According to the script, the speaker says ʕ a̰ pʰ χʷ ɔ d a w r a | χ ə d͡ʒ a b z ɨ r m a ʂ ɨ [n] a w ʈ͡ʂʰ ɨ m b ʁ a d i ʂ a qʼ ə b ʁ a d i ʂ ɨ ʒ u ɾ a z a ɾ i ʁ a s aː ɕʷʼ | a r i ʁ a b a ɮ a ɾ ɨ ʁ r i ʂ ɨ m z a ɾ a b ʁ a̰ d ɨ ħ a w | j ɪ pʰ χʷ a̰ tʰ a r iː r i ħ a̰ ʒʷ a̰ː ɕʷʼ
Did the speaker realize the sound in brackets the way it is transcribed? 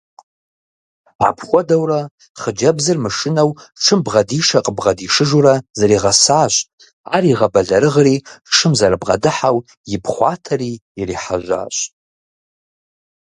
yes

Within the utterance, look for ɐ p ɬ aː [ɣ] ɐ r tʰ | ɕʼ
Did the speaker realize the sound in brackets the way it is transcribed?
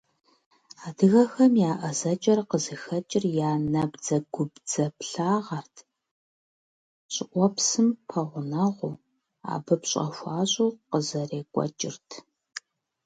no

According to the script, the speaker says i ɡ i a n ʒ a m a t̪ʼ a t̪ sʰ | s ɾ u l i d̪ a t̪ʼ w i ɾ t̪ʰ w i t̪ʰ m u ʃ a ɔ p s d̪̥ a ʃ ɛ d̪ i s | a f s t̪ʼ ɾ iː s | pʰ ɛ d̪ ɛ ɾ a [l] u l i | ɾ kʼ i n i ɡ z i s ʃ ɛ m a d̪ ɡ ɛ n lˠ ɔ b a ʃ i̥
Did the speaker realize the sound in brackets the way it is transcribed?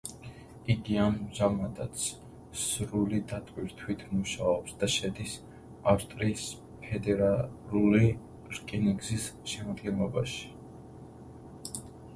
yes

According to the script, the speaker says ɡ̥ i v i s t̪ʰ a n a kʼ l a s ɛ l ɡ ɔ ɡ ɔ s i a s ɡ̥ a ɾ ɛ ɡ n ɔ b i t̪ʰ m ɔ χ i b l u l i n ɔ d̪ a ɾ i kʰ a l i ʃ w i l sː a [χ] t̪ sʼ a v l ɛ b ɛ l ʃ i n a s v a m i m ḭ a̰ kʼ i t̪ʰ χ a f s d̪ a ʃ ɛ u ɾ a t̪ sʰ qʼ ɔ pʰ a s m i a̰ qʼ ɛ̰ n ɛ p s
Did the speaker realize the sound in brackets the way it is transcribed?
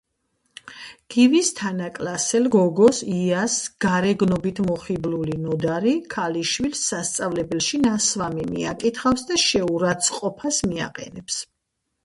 no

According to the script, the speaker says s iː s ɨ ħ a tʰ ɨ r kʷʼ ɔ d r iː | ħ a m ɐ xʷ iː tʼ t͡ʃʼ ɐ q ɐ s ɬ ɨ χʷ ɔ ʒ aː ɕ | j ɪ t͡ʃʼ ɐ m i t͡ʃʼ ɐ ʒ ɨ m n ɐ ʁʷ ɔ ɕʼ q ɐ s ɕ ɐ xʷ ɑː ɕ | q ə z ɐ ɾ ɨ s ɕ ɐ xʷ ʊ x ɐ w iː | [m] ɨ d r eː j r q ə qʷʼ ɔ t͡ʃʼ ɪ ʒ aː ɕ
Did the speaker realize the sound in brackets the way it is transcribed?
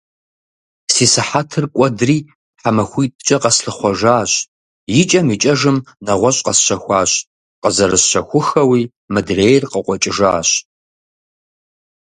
yes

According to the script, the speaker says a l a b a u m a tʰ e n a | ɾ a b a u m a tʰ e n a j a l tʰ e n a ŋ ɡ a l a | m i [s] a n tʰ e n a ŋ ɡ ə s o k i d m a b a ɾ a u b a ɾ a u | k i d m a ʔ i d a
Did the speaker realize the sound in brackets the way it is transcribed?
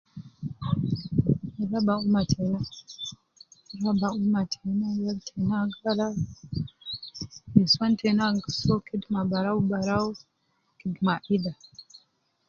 yes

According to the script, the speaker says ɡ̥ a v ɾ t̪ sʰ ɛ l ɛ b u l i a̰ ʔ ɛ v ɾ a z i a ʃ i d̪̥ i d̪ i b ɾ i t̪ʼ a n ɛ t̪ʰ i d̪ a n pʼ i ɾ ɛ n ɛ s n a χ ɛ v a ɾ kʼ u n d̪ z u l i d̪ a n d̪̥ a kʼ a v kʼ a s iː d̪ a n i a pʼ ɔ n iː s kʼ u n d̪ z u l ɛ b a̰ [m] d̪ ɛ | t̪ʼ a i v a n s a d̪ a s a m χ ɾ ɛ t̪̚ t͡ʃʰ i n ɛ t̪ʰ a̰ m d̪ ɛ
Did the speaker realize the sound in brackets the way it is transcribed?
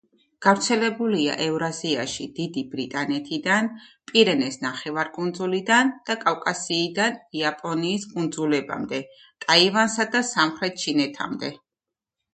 yes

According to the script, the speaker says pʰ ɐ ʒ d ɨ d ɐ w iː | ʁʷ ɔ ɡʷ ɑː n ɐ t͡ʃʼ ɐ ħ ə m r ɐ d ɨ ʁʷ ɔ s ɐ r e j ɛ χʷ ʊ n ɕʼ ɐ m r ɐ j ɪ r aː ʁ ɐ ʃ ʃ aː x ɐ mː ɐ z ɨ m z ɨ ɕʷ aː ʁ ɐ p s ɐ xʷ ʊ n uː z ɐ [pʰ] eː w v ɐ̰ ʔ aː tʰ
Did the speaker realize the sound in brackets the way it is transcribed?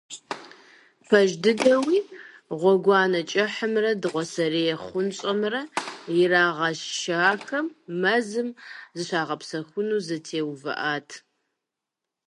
no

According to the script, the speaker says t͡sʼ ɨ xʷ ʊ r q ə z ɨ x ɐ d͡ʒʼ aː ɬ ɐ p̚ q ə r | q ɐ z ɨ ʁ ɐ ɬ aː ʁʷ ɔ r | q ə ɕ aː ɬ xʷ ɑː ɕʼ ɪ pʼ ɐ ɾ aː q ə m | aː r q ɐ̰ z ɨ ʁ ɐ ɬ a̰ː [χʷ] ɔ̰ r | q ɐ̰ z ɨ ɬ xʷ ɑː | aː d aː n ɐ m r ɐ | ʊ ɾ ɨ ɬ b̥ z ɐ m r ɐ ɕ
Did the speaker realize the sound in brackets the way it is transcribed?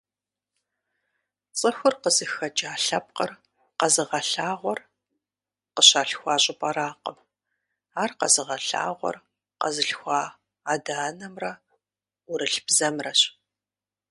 no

